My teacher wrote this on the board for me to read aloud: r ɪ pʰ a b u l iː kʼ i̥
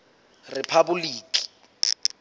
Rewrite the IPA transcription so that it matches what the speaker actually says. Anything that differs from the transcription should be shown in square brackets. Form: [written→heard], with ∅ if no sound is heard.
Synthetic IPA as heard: r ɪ pʰ a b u l iː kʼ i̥